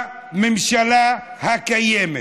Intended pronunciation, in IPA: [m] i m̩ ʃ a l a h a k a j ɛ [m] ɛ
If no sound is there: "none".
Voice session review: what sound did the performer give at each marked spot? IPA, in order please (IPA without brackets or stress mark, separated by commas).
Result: m, m